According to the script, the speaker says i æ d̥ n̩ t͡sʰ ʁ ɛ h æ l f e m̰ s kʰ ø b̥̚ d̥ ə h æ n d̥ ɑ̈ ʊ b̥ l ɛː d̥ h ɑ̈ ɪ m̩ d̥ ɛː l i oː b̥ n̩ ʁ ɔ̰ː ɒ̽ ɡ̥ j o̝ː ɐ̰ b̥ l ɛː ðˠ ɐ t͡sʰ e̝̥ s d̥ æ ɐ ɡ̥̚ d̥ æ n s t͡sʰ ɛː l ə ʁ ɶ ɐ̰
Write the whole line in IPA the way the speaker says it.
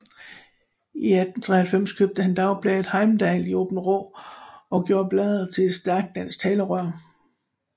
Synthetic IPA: i æ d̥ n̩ t͡sʰ ʁ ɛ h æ l f e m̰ s kʰ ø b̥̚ d̥ ə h æ n d̥ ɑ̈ ʊ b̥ l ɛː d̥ h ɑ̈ ɪ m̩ d̥ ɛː l i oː b̥ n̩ ʁ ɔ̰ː ɒ̽ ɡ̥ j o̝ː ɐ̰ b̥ l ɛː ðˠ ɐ t͡sʰ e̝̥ s d̥ æ ɐ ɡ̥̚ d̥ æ n s t͡sʰ ɛː l ə ʁ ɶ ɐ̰